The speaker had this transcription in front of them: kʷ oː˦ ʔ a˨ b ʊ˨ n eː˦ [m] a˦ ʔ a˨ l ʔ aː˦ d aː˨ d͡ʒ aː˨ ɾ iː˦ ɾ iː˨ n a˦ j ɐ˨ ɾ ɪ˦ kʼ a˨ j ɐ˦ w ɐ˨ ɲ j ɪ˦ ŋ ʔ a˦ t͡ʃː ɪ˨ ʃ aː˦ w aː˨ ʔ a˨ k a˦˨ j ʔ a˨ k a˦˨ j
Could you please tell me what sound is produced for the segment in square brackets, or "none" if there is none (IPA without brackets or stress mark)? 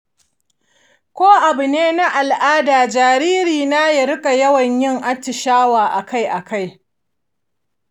n